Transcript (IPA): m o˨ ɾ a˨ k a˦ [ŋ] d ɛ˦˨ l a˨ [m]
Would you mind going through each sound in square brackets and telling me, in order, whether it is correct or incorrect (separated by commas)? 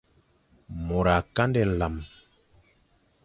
incorrect, correct